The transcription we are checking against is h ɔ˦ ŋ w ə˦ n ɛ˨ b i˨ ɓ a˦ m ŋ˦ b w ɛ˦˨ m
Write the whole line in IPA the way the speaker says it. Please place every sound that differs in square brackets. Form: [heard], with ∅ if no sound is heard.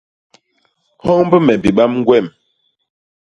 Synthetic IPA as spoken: h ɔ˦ ŋ [b] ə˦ [m] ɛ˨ b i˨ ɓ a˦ m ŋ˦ [ɡ] w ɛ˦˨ m